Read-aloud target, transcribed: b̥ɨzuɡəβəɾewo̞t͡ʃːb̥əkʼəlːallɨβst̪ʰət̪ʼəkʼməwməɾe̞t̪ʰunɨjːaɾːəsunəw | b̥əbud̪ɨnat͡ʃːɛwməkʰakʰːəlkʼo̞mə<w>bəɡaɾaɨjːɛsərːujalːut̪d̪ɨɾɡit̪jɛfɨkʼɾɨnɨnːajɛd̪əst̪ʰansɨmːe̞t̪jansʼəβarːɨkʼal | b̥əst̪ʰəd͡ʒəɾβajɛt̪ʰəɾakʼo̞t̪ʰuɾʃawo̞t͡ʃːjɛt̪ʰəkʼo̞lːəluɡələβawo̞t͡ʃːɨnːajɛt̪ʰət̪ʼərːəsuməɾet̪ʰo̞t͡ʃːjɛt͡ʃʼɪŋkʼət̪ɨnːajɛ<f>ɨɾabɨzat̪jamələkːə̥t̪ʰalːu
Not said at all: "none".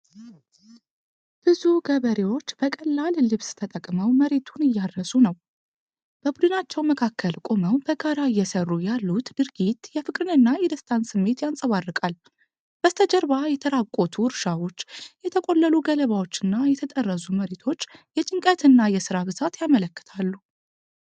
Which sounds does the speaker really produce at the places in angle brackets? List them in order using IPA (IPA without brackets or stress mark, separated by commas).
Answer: w, s